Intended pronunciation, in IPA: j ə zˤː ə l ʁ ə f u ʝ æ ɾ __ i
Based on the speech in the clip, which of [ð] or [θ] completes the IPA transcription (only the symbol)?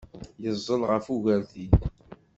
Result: θ